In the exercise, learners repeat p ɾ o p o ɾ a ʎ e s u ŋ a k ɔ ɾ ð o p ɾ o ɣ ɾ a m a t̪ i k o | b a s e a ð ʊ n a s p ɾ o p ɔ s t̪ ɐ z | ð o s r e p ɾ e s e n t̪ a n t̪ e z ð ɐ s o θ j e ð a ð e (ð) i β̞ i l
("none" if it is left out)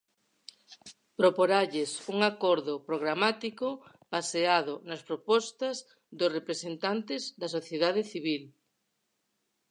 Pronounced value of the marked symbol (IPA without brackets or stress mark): θ